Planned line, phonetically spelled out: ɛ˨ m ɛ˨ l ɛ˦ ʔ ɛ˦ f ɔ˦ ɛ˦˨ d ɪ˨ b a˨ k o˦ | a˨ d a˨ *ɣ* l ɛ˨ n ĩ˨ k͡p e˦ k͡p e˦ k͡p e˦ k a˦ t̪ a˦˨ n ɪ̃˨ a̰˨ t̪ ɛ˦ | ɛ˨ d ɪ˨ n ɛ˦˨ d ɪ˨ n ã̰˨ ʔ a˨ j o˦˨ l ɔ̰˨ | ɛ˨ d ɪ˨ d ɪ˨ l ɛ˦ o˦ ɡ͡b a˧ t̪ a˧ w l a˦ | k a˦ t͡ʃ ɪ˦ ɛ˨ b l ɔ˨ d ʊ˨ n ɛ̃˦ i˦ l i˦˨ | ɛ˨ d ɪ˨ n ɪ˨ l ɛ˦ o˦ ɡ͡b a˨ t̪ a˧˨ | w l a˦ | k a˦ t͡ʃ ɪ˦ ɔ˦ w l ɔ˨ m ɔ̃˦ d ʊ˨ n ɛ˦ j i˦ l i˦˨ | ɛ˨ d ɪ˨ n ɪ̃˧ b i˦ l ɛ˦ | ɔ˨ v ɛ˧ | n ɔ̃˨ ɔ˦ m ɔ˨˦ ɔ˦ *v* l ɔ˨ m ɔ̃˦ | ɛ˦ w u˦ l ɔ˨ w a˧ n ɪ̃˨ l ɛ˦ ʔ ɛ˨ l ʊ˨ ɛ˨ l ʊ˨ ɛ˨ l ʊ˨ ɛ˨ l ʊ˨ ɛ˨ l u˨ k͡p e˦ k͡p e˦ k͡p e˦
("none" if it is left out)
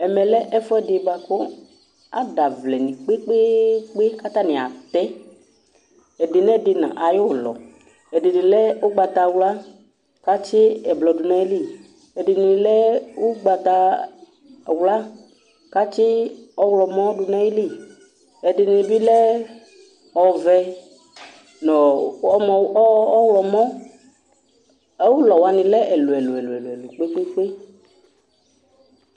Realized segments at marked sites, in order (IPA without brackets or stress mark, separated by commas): v, w